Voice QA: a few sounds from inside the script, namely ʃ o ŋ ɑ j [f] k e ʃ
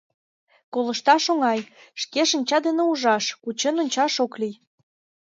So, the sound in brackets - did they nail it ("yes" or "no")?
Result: no